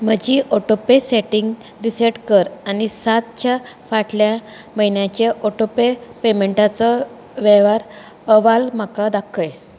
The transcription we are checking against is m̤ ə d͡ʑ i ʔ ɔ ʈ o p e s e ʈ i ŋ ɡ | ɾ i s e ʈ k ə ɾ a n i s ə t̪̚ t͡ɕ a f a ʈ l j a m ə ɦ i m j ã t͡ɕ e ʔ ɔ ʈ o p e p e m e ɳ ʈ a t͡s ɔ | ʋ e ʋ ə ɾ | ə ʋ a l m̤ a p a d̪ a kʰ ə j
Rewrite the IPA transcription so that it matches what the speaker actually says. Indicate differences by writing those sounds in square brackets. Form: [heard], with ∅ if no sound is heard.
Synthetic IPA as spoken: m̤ ə d͡ʑ i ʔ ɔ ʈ o p e s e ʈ i ŋ ɡ | ɾ i s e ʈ k ə ɾ a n i s [a] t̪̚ t͡ɕ a f a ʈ l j a m ə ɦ i [n] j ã t͡ɕ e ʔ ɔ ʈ o p e p e m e ɳ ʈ a t͡s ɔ | ʋ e ʋ [a] ɾ | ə ʋ a l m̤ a [k] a d̪ a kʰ ə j